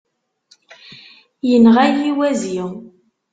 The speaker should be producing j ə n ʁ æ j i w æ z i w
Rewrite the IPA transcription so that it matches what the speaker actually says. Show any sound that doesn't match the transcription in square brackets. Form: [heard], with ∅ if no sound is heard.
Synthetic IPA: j ə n ʁ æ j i w æ z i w